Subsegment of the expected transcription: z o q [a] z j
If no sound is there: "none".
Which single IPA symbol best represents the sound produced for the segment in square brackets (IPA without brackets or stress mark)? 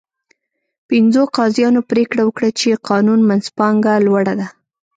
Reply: ɑ